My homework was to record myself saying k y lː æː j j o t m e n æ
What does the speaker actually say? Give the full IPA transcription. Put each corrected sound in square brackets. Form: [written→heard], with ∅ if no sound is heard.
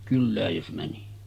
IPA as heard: k y lː æː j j o [t→s] m [e→æ] n [æ→i]